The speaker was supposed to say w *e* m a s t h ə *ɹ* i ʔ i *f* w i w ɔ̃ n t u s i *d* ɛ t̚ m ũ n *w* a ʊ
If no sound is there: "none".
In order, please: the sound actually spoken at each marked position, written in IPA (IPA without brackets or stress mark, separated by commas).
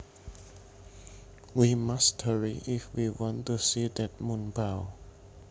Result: i, ɹ, f, d, b